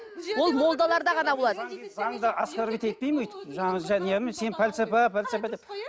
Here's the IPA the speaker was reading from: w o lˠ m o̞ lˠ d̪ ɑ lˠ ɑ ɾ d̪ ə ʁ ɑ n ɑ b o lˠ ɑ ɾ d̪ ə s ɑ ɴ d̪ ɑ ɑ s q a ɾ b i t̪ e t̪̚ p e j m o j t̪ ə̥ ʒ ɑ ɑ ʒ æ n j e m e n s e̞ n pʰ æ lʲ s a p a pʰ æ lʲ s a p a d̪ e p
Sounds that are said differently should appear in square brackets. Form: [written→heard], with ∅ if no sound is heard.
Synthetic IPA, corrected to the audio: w o lˠ m o̞ lˠ d̪ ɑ lˠ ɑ ɾ d̪ [ə→ɑ] ʁ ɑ n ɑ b o lˠ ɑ [ɾ→∅] d̪ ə [s→z] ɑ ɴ d̪ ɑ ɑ s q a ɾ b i t̪ e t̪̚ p e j m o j t̪ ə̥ ʒ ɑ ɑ ʒ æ n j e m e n s e̞ n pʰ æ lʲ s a p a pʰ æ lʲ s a p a d̪ e p

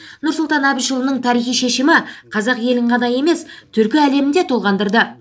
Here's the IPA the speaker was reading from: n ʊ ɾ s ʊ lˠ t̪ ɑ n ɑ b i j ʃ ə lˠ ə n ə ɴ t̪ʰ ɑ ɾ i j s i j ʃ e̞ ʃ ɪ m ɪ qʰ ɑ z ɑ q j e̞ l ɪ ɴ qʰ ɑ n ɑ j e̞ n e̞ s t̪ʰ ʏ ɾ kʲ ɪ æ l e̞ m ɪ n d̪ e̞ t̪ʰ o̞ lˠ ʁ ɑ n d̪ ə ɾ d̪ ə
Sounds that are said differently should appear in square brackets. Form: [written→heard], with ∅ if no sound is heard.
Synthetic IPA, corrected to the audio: n ʊ ɾ s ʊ lˠ t̪ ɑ n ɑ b i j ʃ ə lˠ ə n ə ɴ t̪ʰ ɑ ɾ i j [s→χ] i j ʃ e̞ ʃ ɪ m ɪ qʰ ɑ z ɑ q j e̞ l ɪ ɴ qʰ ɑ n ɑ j e̞ [n→m] e̞ s t̪ʰ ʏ ɾ kʲ ɪ æ l e̞ m ɪ n d̪ e̞ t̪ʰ o̞ lˠ ʁ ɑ n d̪ ə ɾ d̪ ə

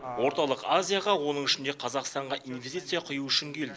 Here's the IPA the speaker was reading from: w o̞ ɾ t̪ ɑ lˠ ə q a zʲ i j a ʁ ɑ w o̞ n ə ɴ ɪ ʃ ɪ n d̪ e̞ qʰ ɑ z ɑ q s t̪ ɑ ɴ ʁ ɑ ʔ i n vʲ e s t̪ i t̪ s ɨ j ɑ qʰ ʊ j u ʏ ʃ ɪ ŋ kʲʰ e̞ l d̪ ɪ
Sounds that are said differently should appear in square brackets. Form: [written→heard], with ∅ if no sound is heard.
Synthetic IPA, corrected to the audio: w o̞ ɾ t̪ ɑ lˠ ə q a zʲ i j a ʁ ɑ w o̞ n ə ɴ ɪ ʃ ɪ n d̪ e̞ qʰ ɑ z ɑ q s t̪ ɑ ɴ ʁ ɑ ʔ i n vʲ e s t̪ i t̪ s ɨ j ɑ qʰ ʊ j u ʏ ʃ ɪ ŋ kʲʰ e̞ l d̪ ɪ

